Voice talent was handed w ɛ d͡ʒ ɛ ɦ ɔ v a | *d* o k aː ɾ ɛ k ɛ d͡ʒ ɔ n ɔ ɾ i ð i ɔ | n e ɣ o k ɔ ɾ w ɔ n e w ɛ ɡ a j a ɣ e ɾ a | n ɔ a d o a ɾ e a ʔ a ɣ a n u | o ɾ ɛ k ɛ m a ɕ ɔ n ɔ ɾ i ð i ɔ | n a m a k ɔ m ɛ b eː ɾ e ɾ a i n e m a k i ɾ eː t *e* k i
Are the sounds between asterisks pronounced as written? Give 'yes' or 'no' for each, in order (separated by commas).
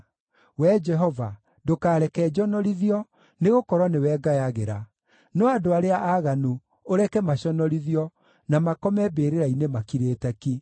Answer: yes, no